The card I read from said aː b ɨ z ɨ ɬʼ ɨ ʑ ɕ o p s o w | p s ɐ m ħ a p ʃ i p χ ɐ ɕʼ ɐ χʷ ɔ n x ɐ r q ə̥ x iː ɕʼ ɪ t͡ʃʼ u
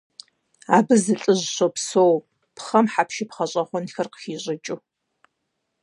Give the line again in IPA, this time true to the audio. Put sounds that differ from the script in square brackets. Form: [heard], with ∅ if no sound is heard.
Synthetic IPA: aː b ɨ z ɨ ɬʼ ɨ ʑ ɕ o p s o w | p [χ] ɐ m ħ a p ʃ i p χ ɐ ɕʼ ɐ χʷ ɔ n x ɐ r q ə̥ x iː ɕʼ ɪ t͡ʃʼ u